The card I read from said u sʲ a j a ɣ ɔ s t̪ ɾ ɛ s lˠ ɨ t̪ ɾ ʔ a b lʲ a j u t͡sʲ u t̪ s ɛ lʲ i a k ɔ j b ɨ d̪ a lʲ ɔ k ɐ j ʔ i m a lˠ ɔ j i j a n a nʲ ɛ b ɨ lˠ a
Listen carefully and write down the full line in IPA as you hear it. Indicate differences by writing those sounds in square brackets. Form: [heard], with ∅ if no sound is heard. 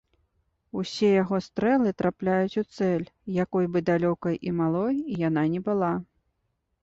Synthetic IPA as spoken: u sʲ [ɛ] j a ɣ ɔ s t̪ ɾ ɛ [∅] lˠ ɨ t̪ ɾ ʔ a [p] lʲ a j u t͡sʲ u t̪ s ɛ lʲ [j] a k ɔ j b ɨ d̪ a lʲ ɔ k ɐ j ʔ i m a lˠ ɔ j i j a n a nʲ ɛ b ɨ lˠ a